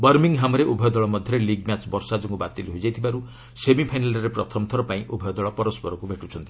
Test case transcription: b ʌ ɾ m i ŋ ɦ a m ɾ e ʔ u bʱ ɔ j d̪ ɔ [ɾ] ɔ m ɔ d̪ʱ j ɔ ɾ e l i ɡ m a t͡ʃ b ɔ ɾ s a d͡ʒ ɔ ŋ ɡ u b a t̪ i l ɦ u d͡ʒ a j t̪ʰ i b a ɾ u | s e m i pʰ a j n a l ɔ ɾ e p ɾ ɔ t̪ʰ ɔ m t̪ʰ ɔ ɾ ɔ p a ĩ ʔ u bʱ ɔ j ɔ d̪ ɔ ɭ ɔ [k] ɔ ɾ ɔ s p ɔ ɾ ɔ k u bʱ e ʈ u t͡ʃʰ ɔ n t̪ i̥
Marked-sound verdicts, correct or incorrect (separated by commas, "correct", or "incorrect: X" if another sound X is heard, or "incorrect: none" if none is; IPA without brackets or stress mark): incorrect: ɭ, incorrect: p